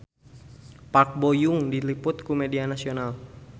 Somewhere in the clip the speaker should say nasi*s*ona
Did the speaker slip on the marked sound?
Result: yes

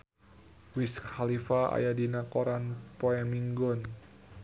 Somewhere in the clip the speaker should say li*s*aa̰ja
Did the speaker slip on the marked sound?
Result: yes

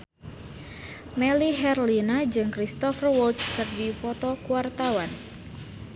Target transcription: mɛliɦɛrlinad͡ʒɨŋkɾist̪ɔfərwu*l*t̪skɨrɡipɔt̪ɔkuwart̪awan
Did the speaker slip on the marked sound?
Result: no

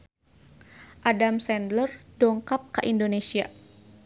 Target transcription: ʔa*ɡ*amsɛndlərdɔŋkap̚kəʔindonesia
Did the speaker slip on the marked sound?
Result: yes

